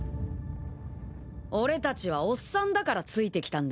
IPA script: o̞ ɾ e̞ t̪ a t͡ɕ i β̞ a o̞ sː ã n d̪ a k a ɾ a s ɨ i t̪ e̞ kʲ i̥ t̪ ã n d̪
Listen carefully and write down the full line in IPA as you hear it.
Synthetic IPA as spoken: o̞ ɾ e̞ t̪ a t͡ɕ i β̞ a o̞ sː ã n d̪ a k a ɾ a t͡s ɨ i t̪ e̞ kʲ i̥ t̪ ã n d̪